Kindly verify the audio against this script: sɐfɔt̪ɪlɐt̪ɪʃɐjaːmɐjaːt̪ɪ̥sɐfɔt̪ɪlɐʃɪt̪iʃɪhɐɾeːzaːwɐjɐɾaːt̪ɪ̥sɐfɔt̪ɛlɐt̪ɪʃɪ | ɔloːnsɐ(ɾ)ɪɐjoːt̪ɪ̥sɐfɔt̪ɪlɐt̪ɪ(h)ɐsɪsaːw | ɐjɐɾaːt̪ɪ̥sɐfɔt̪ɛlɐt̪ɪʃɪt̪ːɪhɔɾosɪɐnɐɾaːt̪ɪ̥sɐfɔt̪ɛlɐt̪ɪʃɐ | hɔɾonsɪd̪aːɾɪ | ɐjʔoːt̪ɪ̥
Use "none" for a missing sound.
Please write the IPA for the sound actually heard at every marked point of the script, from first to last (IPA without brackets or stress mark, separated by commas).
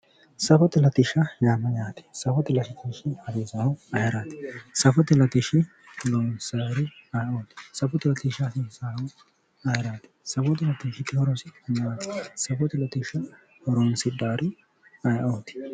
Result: ɾ, ʃ